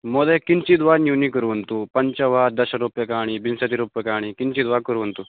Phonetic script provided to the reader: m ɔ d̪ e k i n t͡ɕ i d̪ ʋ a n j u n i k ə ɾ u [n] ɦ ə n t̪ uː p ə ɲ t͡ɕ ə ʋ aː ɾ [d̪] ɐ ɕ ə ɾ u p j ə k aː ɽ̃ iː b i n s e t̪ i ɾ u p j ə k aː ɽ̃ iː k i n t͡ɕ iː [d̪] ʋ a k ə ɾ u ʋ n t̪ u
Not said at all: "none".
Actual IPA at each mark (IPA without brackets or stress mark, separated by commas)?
none, d̪, d̪